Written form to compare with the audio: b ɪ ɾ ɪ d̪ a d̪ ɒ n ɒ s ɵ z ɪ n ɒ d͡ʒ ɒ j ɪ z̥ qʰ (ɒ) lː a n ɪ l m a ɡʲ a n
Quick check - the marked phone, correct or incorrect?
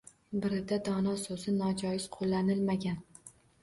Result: incorrect